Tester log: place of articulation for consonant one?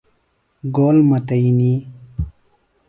velar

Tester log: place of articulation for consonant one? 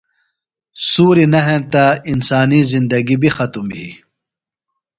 alveolar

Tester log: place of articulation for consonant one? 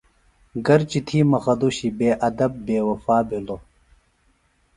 velar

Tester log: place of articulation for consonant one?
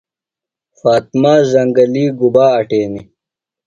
labial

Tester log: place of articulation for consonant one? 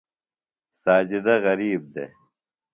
alveolar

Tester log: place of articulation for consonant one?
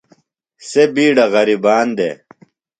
alveolar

